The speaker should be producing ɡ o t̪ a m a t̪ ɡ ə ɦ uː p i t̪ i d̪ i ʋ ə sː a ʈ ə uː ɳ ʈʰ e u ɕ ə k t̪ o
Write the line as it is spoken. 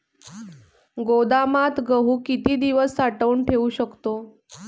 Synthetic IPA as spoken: ɡ o d̪ a m a t̪ ɡ ə ɦ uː k i t̪ iː d̪ i ʋ ə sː a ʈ ə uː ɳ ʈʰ e u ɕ ə k t̪ o

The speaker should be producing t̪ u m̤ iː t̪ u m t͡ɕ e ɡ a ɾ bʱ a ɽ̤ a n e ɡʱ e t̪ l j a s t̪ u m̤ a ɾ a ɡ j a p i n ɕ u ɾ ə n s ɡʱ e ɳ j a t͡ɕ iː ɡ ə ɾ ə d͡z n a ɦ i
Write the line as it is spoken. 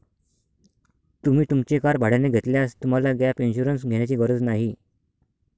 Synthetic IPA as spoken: t̪ u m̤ iː t̪ u m t͡ɕ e k a ɾ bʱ a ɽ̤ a n e ɡʱ e t̪ l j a s t̪ u m̤ a l a ɡ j a p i n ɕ u ɾ ə n s ɡʱ e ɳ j a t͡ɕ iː ɡ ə ɾ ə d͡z n a ɦ i

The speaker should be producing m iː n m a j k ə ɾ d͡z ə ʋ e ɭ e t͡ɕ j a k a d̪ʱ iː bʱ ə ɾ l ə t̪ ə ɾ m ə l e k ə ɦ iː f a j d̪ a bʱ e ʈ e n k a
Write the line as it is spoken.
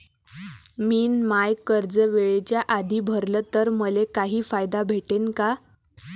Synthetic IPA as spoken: m iː n m a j k ə ɾ d͡z ə ʋ e ɭ e t͡ɕ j a ʔ a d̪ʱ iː bʱ ə ɾ l ə t̪ ə ɾ m ə l e k a ɦ iː f a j d̪ a bʱ e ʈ e n k a

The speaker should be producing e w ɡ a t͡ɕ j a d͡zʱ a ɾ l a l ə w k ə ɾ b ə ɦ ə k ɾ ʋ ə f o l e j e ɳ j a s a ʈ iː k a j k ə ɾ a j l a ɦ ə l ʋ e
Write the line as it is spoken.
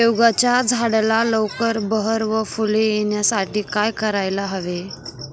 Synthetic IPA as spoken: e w ɡ a t͡ɕ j a d͡zʱ a ɽ l a l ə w k ə ɾ b ə ɦ ə ɾ ʋ ə f u l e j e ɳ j a s a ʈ iː k a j k ə ɾ a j l a ɦ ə ʋ e

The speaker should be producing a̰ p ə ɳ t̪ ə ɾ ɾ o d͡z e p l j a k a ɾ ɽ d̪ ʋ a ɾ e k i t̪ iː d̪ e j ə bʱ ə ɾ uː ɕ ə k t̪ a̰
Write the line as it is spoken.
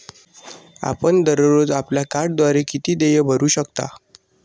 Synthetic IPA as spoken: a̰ p ə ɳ d̪ ə ɾ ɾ o d͡z a p l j a k a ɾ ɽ d̪ ʋ a ɾ e k i t̪ iː d̪ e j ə bʱ ə ɾ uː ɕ ə k t̪ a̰

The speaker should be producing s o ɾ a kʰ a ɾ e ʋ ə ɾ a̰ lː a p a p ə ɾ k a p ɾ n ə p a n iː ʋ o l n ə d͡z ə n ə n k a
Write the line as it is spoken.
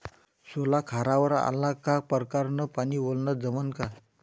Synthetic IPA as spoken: s o l a kʰ a ɾ a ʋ ə ɾ a̰ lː a k a p ə ɾ k a ɾ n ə p a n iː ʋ o l n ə d͡z ə m ə n k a

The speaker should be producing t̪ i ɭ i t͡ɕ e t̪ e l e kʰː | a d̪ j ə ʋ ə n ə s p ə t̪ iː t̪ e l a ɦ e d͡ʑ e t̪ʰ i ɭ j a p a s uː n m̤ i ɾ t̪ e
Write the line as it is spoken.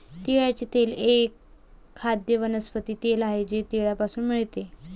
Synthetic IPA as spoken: t̪ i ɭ a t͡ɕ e t̪ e l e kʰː | a d̪ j ə ʋ ə n ə s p ə t̪ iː t̪ e l a ɦ e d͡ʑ e t̪ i ɭ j a p a s uː n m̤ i ɭ t̪ e

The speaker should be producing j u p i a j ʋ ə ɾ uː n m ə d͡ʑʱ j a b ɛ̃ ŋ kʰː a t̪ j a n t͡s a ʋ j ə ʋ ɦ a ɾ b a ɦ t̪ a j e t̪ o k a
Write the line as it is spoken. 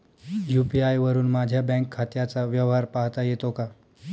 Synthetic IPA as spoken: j u p i a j ʋ ə ɾ uː n m a d͡ʑʱ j a b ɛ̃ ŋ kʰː a t̪ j a t͡s a ʋ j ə ʋ ɦ a ɾ p a ɦ t̪ a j e t̪ o k a

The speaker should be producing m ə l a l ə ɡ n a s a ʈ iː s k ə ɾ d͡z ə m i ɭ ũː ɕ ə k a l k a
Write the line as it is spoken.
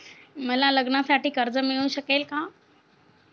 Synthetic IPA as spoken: m ə l a l ə ɡ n a s a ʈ iː k ə ɾ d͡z ə m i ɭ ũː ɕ ə k e l k a

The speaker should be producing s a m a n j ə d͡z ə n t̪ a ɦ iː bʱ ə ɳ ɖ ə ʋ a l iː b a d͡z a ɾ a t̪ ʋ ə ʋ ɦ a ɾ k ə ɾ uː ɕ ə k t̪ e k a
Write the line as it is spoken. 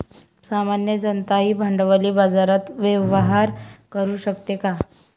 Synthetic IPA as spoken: s a m a n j ə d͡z ə n t̪ a ɦ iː bʱ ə ɳ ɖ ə ʋ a l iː b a d͡z a ɾ a t̪ ʋ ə ʋ ɦ a ɾ k ə ɾ uː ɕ ə k t̪ e k a

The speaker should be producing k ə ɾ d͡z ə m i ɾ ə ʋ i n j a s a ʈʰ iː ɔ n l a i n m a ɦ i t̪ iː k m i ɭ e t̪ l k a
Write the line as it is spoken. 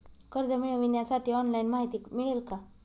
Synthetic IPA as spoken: k ə ɾ d͡z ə m i ɭ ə ʋ i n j a s a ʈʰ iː ɔ n l a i n m a ɦ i t̪ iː k m i ɭ e l k a

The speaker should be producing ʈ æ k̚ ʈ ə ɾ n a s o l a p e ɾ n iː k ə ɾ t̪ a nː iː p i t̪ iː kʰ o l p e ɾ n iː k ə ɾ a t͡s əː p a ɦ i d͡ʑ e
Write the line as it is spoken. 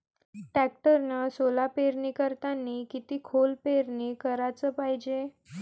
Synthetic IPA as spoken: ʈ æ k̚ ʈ ə ɾ n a s o l a p e ɾ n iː k ə ɾ t̪ a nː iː k i t̪ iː kʰ o l p e ɾ n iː k ə ɾ a t͡s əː p a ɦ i d͡ʑ e

